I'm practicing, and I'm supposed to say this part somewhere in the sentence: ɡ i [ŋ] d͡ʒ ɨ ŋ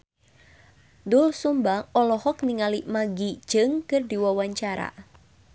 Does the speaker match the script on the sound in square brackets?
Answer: no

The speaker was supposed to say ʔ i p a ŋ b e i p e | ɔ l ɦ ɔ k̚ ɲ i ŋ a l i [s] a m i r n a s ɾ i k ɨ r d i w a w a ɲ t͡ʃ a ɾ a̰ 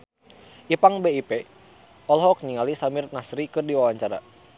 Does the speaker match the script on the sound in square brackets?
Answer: yes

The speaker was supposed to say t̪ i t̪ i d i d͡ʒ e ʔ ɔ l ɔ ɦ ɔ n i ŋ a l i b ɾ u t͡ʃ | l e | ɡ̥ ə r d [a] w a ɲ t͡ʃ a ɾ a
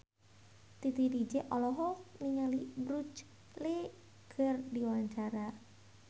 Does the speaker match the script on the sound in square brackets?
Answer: no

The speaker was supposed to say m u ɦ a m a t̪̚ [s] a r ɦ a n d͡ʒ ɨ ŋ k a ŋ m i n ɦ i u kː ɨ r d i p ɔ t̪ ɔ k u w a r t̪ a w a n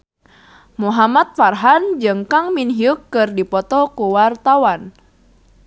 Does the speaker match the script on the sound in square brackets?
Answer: no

